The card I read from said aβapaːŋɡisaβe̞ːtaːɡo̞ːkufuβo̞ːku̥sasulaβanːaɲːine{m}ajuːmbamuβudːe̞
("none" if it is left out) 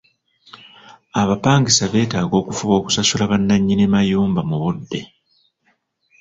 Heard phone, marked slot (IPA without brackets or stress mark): m